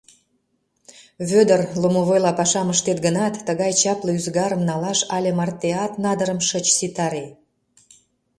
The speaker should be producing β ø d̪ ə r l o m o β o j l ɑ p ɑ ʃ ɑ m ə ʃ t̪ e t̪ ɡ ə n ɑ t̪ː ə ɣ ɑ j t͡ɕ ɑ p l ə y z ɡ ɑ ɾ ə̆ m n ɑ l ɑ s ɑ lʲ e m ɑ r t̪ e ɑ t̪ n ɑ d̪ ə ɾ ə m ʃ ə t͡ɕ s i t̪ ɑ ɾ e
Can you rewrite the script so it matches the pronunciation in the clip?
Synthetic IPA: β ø d̪ ə r l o m o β o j l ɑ p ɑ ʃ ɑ m ə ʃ t̪ e t̪ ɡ ə n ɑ t̪ː ə ɣ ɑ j t͡ɕ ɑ p l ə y z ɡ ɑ ɾ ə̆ m n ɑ l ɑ ʃ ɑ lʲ e m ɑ r t̪ e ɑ t̪ n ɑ d̪ ə ɾ ə m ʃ ə t͡ɕ s i t̪ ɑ ɾ e